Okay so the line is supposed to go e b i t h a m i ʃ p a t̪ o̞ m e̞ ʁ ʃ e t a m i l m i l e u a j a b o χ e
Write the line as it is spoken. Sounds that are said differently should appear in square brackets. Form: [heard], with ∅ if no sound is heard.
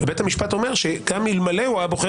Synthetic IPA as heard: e b [e] t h a m i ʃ p a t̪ o̞ m e̞ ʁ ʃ e [k] a m i l m [a] l e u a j a b o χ e